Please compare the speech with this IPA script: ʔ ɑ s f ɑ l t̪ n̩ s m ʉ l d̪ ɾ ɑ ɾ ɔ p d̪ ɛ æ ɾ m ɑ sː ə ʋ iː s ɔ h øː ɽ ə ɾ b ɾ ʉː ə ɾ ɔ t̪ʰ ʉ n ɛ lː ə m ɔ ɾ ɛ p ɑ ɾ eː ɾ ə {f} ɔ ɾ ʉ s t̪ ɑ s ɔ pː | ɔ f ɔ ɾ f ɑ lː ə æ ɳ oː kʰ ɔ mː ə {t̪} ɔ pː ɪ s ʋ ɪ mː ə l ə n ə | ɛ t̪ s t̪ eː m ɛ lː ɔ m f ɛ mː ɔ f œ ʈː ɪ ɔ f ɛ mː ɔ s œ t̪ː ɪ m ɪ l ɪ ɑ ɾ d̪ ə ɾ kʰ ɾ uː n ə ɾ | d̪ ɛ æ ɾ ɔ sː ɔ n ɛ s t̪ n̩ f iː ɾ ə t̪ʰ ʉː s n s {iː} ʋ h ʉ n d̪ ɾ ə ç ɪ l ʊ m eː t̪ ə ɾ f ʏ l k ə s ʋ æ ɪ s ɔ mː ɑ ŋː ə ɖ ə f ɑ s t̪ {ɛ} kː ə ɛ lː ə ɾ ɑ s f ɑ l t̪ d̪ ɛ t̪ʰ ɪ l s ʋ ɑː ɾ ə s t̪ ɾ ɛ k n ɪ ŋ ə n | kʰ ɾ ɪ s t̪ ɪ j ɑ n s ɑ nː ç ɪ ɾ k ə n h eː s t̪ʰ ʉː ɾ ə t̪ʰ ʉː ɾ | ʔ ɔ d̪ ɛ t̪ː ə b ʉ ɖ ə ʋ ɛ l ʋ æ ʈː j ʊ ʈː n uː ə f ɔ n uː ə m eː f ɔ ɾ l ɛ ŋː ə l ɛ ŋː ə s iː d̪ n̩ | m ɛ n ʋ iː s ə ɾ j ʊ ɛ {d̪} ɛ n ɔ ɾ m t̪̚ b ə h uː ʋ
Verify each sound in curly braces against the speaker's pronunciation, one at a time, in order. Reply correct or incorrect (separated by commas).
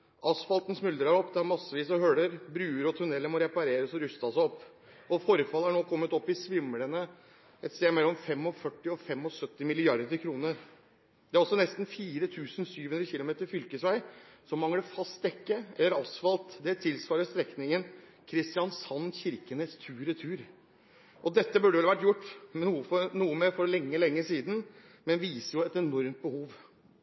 incorrect, correct, incorrect, correct, incorrect